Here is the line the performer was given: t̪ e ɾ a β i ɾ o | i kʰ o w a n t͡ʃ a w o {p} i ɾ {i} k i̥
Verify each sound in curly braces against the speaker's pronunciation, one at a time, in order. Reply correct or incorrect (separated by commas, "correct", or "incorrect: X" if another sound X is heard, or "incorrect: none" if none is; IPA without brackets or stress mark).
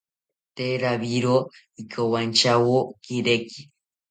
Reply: incorrect: k, incorrect: e